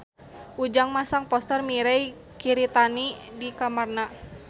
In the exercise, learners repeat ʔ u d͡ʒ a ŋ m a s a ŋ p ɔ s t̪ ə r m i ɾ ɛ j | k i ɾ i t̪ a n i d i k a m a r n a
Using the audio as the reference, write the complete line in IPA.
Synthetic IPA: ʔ u d͡ʒ a ŋ m a s a ŋ p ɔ s t̪ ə r m i ɾ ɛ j | k i ɾ i t̪ a n i d i k a m a r n a

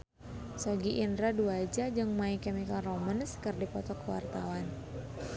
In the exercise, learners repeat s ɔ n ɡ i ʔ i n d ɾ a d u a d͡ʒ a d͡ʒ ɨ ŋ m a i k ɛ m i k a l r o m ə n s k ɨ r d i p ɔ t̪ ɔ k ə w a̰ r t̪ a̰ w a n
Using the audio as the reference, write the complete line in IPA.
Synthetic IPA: s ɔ ɡ i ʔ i n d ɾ a d u a d͡ʒ a d͡ʒ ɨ ŋ m a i k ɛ m i k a l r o m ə n s k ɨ r d i p ɔ t̪ ɔ k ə w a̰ r t̪ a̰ w a n

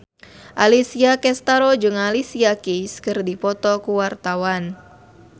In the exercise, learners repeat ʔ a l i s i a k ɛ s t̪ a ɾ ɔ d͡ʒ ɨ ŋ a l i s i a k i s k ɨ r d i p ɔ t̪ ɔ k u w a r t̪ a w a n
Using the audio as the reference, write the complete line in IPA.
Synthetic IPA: ʔ a l i s i a k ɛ s t̪ a ɾ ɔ d͡ʒ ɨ ŋ a l i s i a k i s k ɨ r d i p ɔ t̪ ɔ k u w a r t̪ a w a n

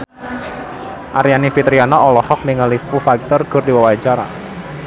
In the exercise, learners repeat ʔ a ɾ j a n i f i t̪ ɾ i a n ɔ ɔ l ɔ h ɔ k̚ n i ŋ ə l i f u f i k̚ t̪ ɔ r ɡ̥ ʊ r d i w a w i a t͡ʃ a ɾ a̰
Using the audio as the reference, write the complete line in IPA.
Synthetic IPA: ʔ a ɾ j a n i f i t̪ ɾ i a n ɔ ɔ l ɔ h ɔ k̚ n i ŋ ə l i f u f a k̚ t̪ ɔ r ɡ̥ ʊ r d i w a w a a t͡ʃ a ɾ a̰

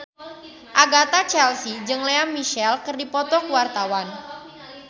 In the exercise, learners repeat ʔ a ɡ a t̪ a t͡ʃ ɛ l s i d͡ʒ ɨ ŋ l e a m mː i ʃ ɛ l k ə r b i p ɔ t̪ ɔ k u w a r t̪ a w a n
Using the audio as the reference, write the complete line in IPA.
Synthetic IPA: ʔ a ɡ a t̪ a t͡ʃ ɛ l s i d͡ʒ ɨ ŋ l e a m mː i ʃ ɛ l k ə r d i p ɔ t̪ ɔ k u w a r t̪ a w a n

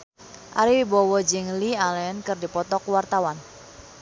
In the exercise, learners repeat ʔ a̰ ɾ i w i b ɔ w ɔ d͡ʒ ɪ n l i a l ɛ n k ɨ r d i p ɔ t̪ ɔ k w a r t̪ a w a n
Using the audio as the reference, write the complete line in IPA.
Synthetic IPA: ʔ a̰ ɾ i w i b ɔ w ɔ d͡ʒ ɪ ŋ l i a l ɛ n k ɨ r d i p ɔ t̪ ɔ k w a r t̪ a w a n

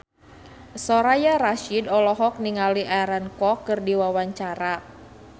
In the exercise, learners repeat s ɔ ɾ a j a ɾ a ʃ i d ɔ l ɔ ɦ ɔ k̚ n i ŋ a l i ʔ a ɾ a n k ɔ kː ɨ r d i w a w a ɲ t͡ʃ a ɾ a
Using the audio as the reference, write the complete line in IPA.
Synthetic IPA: s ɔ ɾ a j a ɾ a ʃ i d ɔ l ɔ ɦ ɔ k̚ n i ŋ a l i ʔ a ɾ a n k ɔ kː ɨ r d i w a w a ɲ t͡ʃ a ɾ a

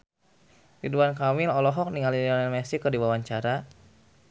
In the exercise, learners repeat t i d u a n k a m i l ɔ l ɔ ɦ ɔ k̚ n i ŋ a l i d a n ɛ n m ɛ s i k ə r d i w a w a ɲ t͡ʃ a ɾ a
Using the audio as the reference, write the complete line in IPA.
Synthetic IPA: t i d u a n k a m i l ɔ l ɔ ɦ ɔ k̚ n i ŋ a l i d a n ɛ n m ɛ s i k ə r d i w a w a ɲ t͡ʃ a ɾ a

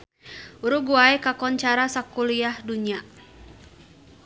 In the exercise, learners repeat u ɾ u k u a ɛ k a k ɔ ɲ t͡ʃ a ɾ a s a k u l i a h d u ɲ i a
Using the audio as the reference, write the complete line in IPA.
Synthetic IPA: u ɾ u ɡ u a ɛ k a k ɔ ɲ t͡ʃ a ɾ a s a k u l i a h d u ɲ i a

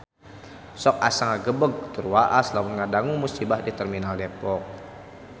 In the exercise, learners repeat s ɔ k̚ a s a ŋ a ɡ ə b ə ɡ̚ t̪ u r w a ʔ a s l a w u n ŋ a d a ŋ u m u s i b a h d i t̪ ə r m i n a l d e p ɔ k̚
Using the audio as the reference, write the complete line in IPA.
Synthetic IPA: s ɔ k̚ a s a ŋ a ɡ ə b ə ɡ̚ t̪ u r w a ʔ a s l a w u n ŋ a d a ŋ u m u s i b a h d i t̪ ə r m i n a l d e p ɔ k̚

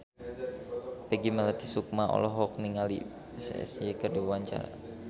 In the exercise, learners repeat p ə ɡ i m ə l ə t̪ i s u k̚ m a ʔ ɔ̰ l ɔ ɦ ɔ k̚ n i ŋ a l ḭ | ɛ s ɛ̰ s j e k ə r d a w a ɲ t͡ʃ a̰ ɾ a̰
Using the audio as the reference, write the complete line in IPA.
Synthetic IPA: p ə ɡ i m ə l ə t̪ i s u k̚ m a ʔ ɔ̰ l ɔ ɦ ɔ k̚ n i ŋ a l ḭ | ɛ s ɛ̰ s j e k ə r d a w a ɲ t͡ʃ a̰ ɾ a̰

